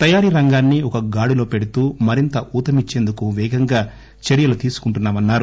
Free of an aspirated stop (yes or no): yes